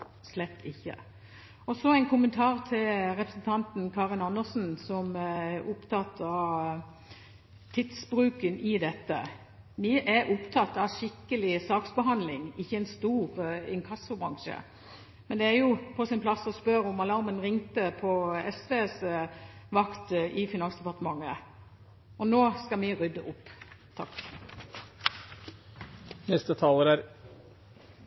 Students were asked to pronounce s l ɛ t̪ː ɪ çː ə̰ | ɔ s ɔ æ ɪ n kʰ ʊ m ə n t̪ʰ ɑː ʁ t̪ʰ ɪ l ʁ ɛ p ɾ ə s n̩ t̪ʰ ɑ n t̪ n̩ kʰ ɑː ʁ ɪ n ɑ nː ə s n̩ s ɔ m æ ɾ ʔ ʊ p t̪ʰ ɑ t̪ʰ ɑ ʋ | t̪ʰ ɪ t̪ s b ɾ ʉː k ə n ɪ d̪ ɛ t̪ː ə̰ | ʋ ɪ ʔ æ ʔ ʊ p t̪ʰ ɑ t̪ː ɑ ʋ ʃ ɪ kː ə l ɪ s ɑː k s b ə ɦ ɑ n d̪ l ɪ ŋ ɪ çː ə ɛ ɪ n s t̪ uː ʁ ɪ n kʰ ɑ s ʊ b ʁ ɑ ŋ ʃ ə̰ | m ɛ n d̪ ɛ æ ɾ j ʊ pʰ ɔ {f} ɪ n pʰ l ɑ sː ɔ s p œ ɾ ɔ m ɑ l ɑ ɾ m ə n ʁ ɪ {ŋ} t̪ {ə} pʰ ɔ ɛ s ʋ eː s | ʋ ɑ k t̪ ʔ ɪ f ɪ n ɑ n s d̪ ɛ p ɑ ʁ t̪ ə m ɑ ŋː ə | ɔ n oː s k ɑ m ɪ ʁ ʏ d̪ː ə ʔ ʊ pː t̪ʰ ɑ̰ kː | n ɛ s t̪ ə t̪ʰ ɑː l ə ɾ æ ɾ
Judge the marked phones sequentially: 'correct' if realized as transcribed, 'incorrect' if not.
incorrect: s, correct, correct

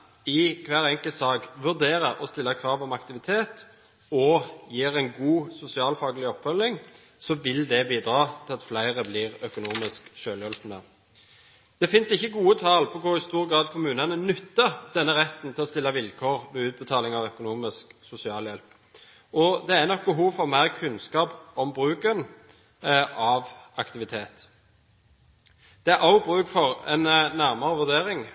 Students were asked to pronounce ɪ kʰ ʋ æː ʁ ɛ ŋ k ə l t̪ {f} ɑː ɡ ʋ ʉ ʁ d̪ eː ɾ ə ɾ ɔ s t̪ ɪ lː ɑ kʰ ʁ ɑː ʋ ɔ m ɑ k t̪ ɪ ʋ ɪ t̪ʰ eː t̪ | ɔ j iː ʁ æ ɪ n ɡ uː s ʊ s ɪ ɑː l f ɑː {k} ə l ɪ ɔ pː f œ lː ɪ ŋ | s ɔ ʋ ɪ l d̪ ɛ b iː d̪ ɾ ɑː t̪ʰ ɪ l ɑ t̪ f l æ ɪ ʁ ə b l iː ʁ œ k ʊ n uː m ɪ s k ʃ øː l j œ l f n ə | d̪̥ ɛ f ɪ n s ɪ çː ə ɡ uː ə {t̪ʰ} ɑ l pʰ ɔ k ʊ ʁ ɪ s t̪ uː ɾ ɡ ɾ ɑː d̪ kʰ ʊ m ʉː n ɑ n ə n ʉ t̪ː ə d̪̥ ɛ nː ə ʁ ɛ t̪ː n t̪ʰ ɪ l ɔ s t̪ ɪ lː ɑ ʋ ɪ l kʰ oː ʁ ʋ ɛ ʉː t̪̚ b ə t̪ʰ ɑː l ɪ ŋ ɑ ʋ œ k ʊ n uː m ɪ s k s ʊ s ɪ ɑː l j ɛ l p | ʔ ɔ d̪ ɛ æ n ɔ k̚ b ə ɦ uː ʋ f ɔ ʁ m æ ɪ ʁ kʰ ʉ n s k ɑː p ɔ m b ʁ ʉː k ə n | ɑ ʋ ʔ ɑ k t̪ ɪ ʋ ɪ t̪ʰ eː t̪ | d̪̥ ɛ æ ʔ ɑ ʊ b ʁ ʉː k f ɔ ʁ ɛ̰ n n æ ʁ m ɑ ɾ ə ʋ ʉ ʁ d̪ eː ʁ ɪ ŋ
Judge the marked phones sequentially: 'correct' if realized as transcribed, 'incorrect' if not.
incorrect: s, incorrect: ɡ, correct

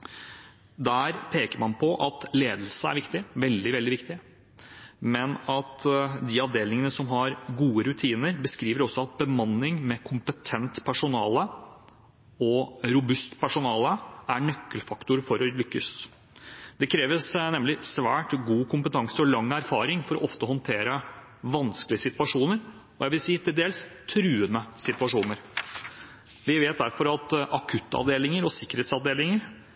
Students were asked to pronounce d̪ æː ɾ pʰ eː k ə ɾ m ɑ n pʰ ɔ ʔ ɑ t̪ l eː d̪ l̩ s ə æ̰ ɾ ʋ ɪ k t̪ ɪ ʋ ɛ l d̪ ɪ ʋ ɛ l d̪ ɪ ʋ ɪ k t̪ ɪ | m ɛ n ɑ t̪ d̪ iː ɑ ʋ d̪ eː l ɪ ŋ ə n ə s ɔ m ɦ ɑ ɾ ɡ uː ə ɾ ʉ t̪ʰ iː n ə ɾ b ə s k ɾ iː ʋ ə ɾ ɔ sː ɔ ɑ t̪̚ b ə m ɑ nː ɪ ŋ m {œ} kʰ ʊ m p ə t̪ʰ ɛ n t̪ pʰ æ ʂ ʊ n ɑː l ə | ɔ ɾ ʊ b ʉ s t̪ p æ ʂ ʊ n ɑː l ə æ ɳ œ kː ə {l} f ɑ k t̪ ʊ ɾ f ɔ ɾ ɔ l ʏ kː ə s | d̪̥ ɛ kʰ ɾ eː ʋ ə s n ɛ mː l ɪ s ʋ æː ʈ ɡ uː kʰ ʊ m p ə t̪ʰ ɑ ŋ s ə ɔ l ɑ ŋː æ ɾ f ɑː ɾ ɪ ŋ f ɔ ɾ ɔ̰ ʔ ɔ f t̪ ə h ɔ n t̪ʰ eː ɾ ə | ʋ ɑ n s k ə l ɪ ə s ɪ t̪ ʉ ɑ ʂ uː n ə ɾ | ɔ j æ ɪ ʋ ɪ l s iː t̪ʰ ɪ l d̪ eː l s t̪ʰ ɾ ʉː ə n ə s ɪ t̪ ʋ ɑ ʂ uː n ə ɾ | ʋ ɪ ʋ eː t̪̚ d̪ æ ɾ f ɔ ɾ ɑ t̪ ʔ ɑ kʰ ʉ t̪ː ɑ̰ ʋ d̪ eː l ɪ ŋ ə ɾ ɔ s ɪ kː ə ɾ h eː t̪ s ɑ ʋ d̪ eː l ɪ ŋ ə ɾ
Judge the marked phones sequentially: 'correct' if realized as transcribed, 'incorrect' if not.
incorrect: ɛ, correct

